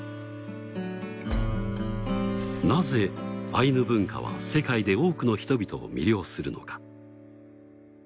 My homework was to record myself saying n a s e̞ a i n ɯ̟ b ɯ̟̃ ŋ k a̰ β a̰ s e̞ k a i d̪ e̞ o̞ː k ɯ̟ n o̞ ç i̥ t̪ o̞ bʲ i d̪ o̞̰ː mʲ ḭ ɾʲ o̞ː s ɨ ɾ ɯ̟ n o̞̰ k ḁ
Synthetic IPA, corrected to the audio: n a z e̞ a i n ɯ̟ b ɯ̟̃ ŋ k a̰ β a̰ s e̞ k a i d̪ e̞ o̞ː k ɯ̟ n o̞ ç i̥ t̪ o̞ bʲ i t̪ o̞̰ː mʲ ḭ ɾʲ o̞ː s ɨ ɾ ɯ̟ n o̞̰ k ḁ